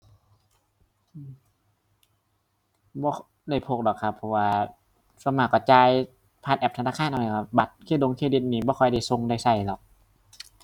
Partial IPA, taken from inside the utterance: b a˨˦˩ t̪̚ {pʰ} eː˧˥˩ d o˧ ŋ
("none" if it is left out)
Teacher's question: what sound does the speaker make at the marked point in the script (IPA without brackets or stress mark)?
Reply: kʰ